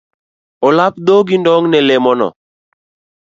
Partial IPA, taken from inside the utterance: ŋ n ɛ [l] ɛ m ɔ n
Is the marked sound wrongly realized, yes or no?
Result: no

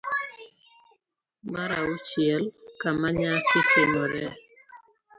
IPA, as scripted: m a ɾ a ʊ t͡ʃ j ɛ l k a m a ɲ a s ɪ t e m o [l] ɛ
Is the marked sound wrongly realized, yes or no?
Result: yes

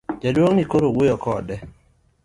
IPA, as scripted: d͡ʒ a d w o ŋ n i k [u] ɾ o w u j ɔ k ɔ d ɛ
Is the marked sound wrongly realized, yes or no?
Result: yes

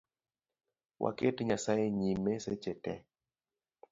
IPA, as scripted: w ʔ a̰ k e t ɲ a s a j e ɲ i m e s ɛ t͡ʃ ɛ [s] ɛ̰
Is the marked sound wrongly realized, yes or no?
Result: yes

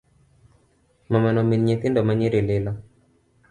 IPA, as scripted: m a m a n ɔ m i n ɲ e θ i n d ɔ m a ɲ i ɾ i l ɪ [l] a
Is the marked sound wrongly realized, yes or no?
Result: no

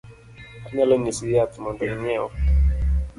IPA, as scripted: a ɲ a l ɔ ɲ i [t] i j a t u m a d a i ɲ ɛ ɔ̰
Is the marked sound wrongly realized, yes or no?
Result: yes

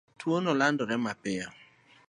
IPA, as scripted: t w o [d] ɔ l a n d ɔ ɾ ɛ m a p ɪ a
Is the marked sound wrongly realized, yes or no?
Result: yes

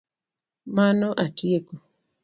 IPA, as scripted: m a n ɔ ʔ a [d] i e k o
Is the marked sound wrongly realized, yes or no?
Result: yes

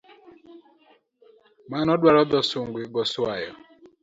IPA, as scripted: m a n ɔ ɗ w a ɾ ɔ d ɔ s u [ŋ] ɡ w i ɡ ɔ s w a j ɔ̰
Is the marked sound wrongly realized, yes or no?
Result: no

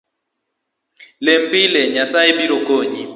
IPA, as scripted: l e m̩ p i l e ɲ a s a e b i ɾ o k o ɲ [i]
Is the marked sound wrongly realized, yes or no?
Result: no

